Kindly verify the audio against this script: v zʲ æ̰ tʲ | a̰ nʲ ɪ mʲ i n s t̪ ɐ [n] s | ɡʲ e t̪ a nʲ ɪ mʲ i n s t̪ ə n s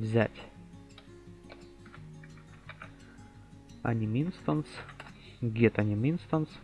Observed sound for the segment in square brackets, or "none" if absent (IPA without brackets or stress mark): n